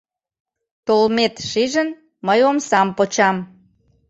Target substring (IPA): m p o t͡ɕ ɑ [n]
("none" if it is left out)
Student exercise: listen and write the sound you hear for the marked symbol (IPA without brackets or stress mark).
m